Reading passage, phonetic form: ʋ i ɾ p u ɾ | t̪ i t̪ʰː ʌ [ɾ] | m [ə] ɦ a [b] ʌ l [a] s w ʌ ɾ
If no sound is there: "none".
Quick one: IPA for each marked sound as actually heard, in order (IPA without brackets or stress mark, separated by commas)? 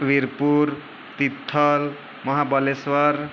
l, ʌ, b, e